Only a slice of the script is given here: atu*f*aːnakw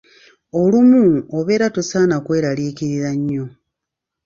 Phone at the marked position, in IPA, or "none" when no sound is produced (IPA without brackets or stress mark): s